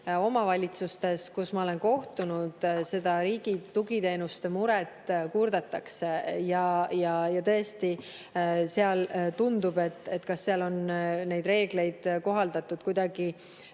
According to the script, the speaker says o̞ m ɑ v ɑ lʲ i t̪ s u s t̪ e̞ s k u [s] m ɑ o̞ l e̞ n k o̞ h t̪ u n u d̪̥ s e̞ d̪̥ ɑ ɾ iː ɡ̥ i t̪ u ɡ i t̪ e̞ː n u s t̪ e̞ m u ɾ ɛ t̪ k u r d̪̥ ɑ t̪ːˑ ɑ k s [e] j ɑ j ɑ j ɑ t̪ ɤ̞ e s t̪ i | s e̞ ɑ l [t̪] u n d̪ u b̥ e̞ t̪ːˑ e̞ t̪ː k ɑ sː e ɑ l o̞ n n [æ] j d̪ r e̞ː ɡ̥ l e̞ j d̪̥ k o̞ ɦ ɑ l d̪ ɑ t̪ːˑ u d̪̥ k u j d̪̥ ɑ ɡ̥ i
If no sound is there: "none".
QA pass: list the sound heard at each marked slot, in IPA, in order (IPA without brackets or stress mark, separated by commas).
s, e, t̪, e